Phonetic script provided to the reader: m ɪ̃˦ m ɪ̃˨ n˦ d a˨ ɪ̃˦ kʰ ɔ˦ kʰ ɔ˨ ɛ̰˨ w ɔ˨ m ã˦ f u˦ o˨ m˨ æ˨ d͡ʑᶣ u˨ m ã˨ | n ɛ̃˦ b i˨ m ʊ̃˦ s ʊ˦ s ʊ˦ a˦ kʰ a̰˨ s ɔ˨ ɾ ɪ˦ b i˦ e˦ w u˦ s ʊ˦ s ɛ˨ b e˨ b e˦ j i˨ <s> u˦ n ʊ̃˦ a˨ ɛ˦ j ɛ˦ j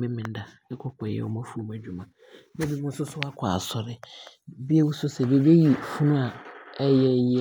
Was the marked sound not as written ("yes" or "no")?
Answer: yes